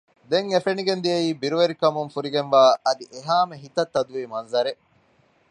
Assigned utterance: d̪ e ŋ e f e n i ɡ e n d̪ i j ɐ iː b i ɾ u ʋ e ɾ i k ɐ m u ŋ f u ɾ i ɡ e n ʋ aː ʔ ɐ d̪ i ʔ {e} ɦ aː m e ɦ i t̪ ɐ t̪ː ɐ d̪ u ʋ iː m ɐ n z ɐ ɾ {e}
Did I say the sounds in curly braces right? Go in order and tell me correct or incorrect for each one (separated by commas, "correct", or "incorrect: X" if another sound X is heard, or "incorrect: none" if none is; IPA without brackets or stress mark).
correct, correct